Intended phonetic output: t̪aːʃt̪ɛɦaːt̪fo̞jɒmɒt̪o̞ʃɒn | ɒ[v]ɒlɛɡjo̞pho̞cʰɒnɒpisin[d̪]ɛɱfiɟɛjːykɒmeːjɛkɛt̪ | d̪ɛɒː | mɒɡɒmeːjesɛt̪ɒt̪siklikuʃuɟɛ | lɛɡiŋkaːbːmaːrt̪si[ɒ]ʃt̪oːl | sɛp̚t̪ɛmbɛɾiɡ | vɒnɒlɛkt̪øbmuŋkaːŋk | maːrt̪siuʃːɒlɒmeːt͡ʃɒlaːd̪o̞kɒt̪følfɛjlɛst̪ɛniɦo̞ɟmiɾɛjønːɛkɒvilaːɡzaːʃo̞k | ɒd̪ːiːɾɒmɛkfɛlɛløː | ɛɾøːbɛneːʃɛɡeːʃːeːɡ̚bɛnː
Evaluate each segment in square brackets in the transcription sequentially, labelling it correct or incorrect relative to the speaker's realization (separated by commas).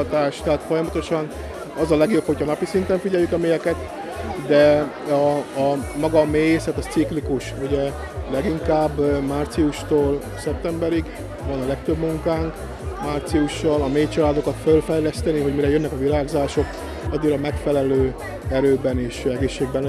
incorrect, incorrect, incorrect